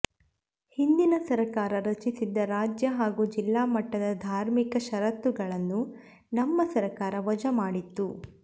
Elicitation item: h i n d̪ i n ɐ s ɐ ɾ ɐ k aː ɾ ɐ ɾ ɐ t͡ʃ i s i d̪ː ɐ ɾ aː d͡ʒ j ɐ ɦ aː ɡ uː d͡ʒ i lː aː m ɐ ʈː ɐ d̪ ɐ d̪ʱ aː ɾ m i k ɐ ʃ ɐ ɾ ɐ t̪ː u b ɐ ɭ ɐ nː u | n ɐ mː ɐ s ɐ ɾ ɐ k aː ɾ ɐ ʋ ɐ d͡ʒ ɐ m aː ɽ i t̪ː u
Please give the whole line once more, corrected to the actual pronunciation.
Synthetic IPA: h i n d̪ i n ɐ s ɐ ɾ ɐ k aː ɾ ɐ ɾ ɐ t͡ʃ i s i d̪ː ɐ ɾ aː d͡ʒ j ɐ ɦ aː ɡ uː d͡ʒ i lː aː m ɐ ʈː ɐ d̪ ɐ d̪ʱ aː ɾ m i k ɐ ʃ ɐ ɾ ɐ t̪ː u ɡ ɐ ɭ ɐ nː u | n ɐ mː ɐ s ɐ ɾ ɐ k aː ɾ ɐ ʋ ɐ d͡ʒ ɐ m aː ɽ i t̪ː u